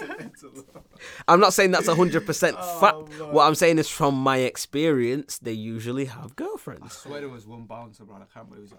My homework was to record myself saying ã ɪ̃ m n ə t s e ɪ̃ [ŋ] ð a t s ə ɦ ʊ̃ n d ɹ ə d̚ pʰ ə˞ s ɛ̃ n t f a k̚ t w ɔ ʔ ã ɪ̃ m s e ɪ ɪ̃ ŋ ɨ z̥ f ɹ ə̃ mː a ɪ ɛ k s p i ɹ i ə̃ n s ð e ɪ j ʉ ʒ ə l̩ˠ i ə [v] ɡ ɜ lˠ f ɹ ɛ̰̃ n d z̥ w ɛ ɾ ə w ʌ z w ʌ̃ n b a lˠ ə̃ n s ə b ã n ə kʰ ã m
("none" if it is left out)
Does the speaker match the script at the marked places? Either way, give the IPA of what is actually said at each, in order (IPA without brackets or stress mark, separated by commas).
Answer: ŋ, v